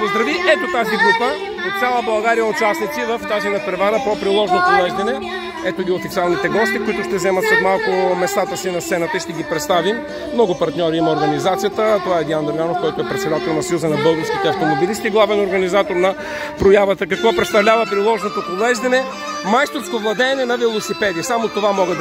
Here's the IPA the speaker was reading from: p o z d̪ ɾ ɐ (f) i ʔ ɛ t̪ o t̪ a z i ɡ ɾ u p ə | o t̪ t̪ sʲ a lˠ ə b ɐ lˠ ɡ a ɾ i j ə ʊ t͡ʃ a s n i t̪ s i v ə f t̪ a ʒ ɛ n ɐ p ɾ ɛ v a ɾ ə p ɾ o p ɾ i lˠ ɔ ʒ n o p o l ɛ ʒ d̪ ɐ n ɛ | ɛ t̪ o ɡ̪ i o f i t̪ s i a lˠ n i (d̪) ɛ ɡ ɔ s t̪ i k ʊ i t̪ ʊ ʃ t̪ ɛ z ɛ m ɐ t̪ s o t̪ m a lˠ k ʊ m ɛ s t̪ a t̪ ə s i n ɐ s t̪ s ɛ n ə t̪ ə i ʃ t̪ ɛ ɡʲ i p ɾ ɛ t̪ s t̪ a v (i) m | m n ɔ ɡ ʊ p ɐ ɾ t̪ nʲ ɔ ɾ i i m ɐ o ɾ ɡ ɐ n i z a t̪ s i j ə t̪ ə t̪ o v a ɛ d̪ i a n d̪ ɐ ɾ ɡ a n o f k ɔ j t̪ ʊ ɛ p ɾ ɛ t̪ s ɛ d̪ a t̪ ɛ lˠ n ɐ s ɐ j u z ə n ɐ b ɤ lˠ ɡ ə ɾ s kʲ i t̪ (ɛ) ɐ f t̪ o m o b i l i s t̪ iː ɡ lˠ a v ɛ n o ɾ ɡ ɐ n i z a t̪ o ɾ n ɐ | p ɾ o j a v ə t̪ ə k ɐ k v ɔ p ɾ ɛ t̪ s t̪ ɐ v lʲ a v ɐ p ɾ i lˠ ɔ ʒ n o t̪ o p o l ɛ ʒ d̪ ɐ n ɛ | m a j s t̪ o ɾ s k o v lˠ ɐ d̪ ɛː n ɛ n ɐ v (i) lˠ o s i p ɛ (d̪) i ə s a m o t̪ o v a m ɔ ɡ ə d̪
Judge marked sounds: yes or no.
no, no, yes, yes, no, yes

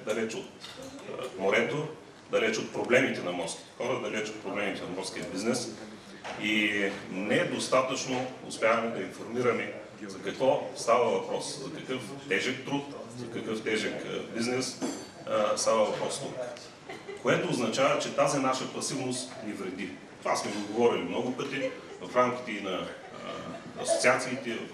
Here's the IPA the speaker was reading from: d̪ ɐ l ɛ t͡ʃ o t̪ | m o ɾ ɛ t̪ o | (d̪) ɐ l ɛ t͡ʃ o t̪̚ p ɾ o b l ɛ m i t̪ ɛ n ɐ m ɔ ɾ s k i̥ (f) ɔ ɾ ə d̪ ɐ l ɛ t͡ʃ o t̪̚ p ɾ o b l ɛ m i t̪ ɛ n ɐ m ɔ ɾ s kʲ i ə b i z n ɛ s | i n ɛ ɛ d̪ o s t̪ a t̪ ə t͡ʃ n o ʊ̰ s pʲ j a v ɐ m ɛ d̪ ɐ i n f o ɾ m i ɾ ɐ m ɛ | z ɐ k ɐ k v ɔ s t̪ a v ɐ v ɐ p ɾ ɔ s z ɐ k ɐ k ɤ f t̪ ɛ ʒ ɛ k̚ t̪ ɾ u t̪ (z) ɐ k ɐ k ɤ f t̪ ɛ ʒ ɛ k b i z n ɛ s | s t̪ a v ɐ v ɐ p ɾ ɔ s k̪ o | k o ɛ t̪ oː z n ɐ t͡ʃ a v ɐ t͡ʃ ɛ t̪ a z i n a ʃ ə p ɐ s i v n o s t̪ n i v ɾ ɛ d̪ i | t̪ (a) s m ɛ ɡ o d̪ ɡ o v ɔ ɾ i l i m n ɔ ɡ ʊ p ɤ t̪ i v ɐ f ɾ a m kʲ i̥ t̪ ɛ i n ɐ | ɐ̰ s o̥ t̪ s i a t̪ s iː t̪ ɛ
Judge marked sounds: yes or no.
yes, no, yes, yes

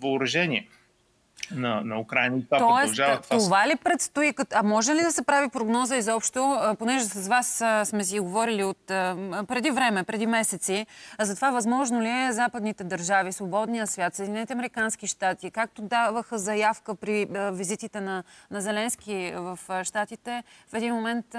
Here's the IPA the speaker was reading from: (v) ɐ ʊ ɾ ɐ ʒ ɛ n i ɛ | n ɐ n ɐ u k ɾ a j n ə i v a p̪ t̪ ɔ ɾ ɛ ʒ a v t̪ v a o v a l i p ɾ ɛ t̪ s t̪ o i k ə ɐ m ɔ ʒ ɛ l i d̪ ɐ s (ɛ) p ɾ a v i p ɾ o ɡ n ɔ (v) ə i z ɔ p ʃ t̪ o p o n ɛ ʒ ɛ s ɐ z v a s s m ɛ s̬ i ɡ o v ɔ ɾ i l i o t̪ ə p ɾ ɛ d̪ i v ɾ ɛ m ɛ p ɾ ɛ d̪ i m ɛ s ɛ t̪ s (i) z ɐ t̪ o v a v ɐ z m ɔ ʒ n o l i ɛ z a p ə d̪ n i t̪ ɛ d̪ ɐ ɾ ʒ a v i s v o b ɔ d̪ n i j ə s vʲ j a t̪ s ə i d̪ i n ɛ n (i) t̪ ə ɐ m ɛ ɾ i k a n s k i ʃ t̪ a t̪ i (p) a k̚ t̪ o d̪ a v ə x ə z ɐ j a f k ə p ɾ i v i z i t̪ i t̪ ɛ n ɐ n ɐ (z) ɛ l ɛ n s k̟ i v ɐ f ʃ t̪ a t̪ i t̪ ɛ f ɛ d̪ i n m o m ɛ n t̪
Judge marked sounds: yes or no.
yes, yes, no, yes, yes, no, yes

